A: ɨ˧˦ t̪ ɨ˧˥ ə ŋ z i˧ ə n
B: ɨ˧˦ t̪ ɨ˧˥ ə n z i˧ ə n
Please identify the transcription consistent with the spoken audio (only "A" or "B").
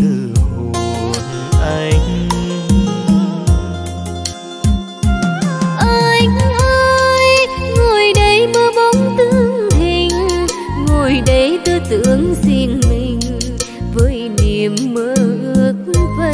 A